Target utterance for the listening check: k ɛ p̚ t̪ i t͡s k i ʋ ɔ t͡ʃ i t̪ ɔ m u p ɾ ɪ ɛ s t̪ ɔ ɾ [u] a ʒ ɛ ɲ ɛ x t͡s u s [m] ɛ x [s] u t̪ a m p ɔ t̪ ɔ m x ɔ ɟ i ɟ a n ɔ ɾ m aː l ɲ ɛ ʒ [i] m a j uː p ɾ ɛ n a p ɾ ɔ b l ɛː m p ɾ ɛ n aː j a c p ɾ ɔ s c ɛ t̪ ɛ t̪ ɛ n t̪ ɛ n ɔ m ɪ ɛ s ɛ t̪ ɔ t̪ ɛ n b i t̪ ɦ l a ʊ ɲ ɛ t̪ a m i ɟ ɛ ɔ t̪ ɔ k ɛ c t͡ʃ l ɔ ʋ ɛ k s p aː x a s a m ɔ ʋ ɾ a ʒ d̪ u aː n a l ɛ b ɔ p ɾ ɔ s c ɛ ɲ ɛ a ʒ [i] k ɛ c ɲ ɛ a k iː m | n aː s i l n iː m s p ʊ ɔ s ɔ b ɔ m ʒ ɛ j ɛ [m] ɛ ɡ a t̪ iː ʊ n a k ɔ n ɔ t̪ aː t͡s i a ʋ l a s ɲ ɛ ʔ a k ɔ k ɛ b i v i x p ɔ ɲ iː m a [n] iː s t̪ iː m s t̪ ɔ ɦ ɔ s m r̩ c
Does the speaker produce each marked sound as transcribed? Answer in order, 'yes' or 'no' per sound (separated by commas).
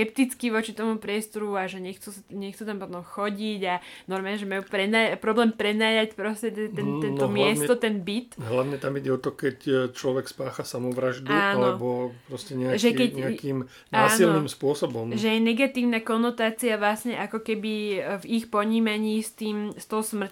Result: yes, no, no, no, no, no, no